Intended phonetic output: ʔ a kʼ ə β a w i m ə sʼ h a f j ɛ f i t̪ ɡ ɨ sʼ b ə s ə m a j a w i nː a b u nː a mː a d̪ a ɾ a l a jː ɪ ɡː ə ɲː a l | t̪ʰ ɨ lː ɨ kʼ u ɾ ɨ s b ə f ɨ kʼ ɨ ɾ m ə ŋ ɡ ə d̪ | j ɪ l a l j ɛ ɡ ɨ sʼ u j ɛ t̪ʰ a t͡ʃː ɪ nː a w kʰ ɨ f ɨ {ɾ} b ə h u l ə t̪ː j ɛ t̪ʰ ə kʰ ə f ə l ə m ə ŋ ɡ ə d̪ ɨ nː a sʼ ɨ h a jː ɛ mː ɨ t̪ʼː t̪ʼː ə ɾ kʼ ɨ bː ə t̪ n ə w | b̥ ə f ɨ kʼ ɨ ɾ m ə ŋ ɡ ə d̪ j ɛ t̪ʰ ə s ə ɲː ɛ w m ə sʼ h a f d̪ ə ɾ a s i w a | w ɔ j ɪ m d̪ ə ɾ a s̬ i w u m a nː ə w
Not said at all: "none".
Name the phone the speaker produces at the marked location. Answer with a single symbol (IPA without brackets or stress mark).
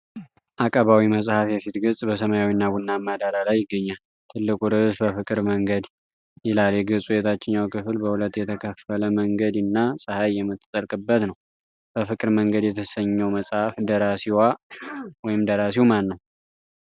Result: l